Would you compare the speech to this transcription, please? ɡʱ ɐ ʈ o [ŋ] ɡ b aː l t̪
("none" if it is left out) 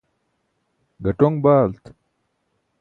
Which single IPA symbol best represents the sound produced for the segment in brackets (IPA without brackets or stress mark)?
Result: ŋ